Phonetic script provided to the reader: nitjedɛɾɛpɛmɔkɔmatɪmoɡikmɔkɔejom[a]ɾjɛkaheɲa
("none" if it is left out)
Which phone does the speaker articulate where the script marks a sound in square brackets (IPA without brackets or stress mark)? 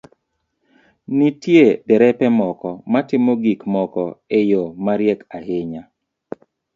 a